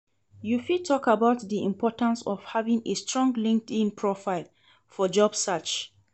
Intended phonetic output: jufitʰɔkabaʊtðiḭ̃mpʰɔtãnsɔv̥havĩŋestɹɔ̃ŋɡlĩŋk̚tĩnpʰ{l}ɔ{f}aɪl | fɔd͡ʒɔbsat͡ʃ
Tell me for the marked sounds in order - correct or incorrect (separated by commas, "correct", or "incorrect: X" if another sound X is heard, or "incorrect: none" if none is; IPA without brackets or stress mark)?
incorrect: ɹ, correct